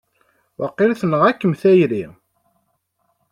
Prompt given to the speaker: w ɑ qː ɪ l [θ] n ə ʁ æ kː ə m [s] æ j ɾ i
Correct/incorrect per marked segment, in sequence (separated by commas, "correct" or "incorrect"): correct, incorrect